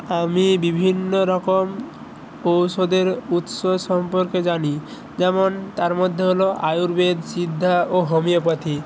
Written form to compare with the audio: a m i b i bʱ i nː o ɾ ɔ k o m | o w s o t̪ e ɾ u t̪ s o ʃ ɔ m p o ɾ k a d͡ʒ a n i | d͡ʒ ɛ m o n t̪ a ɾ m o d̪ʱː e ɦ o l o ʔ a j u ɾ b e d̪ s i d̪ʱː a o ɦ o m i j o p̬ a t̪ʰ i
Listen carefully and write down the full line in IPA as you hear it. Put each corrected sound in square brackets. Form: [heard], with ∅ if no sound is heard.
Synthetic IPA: a m i b i bʱ i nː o ɾ ɔ k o m | o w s o [d̪] e ɾ u t̪ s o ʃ ɔ m p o ɾ k [e] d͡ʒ a n i | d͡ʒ ɛ m o n t̪ a ɾ m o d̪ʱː e ɦ o l o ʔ a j u ɾ b e d̪ s i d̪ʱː a o ɦ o m i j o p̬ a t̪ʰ i